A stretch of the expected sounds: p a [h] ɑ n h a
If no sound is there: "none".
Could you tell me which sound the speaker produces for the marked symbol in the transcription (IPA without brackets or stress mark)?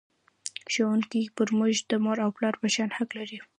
ʃ